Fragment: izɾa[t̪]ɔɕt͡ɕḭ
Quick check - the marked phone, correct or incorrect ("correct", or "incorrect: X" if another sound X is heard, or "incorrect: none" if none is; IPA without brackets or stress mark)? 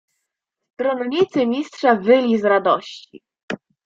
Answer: incorrect: d̪